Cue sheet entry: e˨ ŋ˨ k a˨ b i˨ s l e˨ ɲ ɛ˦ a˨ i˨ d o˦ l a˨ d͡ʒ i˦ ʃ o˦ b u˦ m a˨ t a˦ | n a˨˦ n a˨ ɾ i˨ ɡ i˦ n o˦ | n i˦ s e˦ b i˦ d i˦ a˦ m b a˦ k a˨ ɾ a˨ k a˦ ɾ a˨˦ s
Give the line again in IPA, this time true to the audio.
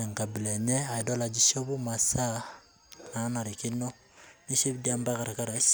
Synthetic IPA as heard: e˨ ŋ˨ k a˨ b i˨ l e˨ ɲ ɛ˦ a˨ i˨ d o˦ l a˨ d͡ʒ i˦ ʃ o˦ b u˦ m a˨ s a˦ | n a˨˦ n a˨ ɾ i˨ k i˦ n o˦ | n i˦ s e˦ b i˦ d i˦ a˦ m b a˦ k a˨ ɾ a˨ k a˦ ɾ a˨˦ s